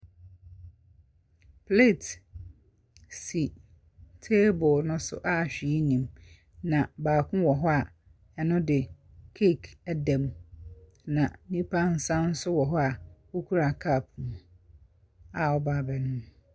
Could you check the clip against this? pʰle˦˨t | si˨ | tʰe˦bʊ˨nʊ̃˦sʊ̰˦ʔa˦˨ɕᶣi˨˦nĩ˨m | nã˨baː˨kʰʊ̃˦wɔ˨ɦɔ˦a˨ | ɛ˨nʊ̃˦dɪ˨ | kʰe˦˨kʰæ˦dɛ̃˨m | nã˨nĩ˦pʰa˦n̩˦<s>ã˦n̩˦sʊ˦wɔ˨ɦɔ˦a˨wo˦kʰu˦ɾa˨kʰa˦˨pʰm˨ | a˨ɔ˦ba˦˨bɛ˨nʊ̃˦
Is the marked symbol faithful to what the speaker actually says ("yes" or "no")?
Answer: yes